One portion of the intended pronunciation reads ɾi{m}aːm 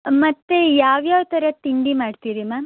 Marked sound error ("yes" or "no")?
no